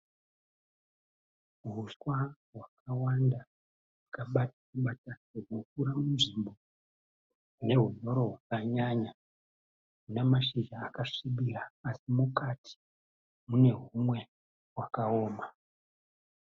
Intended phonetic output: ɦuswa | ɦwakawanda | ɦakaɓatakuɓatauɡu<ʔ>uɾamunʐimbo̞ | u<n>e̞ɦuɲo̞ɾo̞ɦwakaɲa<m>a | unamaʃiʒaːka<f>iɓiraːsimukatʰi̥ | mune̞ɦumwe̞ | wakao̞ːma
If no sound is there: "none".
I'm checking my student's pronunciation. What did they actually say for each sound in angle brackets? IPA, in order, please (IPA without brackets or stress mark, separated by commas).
k, n, ɲ, ʂ